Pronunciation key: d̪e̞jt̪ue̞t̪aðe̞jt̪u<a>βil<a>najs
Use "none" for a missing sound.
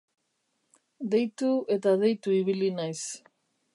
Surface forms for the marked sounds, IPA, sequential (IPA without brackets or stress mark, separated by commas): i, i